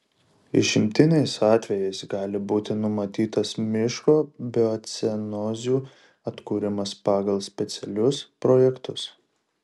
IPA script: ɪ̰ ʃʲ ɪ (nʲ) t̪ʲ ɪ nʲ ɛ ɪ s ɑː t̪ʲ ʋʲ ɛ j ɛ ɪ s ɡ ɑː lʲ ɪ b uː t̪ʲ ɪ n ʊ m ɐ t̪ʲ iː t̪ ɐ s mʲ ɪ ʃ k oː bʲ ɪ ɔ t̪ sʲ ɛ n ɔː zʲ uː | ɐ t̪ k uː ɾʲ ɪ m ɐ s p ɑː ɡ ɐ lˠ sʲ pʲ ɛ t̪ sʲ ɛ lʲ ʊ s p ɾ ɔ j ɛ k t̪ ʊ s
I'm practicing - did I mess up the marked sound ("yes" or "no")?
yes